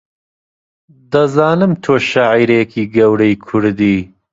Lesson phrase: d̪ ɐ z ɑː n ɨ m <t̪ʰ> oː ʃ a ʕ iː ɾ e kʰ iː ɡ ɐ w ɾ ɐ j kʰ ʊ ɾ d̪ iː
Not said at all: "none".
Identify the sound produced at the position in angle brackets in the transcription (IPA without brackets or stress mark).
t̪ʰ